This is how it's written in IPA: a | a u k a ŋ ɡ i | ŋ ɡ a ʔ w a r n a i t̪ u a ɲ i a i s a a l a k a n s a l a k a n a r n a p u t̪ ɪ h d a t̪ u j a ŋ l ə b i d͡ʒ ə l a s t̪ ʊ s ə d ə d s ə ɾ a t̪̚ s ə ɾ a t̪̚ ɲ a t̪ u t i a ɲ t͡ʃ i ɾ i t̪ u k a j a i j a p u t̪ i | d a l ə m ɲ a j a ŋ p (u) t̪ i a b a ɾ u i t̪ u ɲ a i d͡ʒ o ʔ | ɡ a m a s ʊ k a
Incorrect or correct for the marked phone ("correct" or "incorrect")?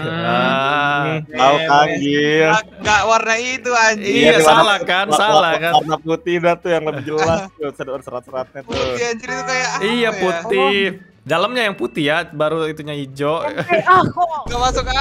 correct